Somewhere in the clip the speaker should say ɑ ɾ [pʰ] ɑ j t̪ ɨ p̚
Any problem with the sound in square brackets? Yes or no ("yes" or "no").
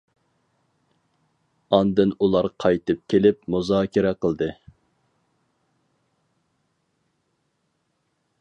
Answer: yes